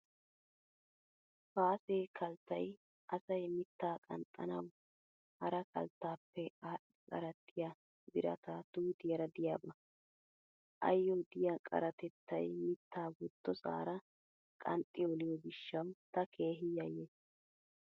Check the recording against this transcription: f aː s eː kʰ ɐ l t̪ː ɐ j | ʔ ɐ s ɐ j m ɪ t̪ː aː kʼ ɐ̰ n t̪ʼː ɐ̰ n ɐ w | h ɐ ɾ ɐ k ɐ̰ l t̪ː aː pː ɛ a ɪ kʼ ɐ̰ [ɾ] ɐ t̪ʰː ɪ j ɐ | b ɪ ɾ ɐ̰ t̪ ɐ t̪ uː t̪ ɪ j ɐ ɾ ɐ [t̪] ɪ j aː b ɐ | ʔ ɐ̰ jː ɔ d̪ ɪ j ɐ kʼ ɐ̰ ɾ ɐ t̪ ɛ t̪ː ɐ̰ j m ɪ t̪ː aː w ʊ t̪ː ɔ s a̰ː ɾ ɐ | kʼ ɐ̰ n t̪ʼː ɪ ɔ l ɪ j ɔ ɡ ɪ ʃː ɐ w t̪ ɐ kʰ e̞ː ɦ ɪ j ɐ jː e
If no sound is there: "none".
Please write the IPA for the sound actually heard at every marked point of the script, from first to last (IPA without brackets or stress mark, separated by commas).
ɾ, d̪